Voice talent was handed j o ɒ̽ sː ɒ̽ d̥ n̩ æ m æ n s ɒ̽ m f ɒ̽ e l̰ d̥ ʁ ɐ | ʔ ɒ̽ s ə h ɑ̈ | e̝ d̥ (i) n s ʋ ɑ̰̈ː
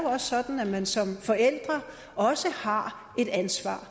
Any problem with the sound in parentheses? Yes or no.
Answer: yes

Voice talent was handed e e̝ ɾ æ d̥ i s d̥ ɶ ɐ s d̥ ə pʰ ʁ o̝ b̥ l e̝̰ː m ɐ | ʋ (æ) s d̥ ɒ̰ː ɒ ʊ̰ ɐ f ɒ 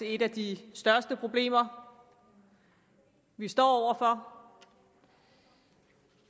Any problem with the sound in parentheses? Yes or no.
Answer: yes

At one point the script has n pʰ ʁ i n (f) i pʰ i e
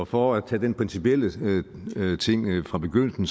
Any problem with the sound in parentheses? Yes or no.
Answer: yes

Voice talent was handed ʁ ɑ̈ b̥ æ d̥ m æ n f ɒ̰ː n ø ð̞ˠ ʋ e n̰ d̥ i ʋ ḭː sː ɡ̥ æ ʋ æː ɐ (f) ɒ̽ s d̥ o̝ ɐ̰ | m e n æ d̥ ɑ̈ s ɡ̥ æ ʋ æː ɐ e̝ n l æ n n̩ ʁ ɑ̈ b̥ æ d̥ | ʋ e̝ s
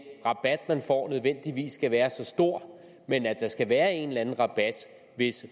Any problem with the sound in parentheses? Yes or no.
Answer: yes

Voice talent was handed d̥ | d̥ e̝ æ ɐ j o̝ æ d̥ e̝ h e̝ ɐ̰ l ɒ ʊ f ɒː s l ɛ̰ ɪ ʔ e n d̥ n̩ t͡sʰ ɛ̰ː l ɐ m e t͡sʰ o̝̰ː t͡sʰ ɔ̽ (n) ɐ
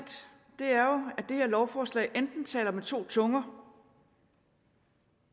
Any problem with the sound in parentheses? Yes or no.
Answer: yes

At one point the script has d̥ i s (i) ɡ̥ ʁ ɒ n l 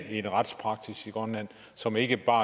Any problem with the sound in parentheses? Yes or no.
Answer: no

